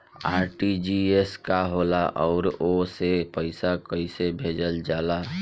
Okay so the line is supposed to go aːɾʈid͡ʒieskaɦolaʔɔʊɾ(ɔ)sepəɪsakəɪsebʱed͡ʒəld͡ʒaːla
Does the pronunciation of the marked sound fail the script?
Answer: yes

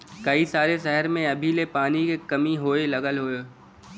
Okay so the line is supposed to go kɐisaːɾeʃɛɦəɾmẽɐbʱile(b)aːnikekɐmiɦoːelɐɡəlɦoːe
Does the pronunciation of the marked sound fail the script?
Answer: yes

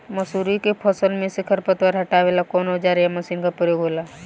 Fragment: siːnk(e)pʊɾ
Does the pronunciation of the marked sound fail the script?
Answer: yes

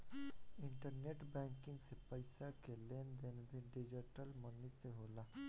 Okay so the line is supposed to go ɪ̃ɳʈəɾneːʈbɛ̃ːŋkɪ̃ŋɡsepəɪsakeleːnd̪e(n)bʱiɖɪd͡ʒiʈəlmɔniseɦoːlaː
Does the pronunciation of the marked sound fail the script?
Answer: no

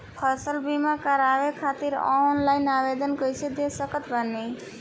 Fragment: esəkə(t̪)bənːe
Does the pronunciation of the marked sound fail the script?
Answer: no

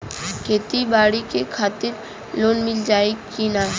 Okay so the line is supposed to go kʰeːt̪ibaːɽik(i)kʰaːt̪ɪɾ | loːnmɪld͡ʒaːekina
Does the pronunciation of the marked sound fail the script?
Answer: yes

